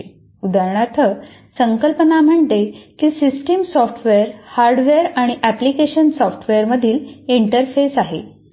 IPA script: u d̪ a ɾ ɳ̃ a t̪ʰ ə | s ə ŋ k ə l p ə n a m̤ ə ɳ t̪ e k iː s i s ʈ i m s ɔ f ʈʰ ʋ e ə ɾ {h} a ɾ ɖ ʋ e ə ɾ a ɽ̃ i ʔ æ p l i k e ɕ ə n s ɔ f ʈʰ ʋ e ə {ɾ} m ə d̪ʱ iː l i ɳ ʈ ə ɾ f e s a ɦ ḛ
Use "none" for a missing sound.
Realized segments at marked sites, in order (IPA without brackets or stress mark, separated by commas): h, ɾ